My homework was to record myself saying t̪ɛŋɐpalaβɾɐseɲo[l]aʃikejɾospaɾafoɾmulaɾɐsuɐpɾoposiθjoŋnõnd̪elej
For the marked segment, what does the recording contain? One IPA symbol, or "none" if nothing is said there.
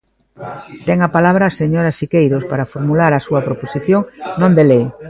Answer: ɾ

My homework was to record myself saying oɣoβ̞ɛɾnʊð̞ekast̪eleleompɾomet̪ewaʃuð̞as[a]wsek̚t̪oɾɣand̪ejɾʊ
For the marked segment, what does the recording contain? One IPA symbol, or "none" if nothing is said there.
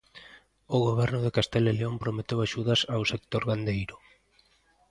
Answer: a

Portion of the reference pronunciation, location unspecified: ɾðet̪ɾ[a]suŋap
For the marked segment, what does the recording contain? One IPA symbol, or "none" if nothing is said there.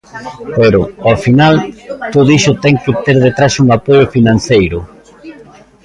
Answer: a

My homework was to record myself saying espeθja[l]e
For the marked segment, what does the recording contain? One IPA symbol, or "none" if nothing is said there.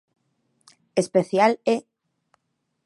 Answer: l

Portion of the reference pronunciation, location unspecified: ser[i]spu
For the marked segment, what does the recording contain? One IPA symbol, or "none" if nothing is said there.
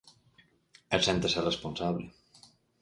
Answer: e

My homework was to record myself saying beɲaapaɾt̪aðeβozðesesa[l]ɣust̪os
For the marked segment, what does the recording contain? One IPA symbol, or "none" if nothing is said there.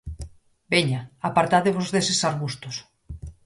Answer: ɾ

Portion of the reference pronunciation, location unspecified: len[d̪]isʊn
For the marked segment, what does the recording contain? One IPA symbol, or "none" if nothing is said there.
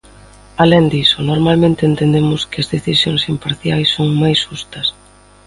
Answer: d̪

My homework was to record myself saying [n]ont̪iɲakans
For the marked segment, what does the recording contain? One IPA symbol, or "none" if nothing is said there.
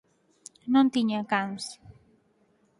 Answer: n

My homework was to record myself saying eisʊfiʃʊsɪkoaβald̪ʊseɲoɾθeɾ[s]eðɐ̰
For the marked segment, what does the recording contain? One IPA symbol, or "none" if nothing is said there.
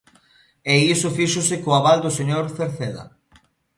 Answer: θ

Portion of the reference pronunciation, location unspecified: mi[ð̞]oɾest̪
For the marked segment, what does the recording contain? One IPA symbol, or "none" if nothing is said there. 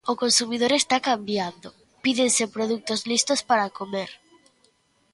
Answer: ð̞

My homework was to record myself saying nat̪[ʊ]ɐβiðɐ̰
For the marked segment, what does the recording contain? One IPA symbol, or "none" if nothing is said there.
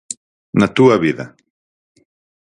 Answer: u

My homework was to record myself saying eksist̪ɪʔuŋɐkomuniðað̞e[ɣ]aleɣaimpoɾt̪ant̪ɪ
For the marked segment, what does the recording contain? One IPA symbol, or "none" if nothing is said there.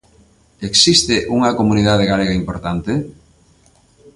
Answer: ɣ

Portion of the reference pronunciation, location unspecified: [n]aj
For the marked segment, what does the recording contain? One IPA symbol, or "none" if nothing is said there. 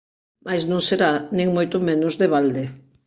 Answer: m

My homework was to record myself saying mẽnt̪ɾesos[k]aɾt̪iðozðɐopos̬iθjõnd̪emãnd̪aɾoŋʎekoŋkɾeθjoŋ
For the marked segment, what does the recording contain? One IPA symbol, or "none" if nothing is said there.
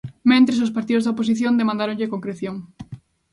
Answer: p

